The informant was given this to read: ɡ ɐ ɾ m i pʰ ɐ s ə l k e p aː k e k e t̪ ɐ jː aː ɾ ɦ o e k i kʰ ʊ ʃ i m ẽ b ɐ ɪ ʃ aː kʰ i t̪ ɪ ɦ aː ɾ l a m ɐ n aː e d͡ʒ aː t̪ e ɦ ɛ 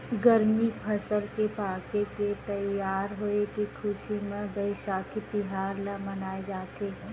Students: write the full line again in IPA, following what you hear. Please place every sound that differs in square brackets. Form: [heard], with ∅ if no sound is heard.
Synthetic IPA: ɡ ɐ ɾ m i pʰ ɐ s ə l k e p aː k e k e t̪ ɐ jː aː ɾ ɦ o e k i kʰ ʊ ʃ i m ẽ b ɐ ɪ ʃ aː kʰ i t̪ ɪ ɦ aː ɾ l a m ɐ n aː e d͡ʒ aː t̪ e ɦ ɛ